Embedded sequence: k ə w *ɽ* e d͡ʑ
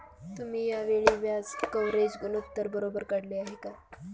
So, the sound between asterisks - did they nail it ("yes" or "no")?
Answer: no